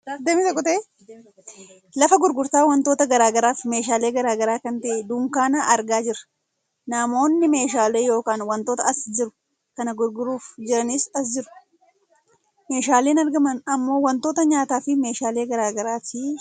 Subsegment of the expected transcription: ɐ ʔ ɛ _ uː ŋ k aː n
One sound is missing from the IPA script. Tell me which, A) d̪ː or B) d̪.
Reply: B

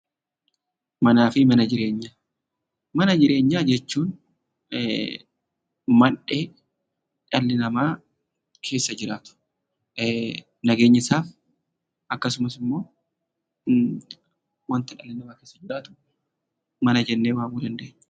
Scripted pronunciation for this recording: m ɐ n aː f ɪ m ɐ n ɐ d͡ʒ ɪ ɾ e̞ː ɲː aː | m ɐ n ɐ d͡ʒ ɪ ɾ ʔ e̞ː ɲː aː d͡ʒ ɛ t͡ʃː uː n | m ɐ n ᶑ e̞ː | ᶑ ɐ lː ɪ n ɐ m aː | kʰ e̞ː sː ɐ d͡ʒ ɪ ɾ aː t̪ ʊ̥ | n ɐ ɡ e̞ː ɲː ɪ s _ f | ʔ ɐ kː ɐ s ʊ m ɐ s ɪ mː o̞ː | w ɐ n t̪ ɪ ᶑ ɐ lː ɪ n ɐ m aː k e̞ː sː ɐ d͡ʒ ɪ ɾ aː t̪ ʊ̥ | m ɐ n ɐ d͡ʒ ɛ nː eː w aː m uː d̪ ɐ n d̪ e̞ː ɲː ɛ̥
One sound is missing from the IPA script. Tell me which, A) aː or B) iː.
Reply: A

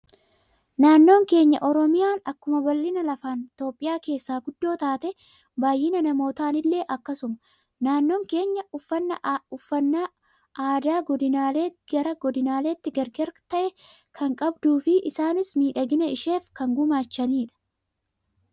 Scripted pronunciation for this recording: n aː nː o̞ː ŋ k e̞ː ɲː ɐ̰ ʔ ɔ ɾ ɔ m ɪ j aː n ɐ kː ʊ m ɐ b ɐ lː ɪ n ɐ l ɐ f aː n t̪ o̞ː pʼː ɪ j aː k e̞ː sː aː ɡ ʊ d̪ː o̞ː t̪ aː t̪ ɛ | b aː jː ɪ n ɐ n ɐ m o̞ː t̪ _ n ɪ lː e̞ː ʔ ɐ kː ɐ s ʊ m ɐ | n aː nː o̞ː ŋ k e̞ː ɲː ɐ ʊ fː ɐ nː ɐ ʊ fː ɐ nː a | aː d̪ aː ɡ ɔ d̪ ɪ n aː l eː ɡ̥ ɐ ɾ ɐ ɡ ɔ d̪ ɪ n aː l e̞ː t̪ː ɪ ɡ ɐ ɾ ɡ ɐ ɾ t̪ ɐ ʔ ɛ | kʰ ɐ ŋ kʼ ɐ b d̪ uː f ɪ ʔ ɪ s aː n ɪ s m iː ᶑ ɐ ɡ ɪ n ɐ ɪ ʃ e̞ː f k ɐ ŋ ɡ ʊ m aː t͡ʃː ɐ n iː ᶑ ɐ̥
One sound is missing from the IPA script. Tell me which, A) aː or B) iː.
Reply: A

